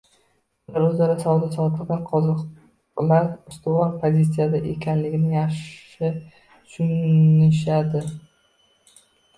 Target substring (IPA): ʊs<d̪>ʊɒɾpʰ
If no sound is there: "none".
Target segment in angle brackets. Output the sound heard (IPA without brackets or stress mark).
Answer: t̪